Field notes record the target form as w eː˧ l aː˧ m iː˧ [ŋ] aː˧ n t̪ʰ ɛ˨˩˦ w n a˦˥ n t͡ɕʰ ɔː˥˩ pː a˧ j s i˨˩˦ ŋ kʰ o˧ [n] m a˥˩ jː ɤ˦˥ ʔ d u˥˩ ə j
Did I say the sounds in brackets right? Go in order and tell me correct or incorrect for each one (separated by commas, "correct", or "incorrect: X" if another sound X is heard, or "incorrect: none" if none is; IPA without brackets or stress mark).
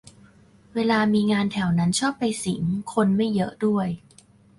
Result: correct, correct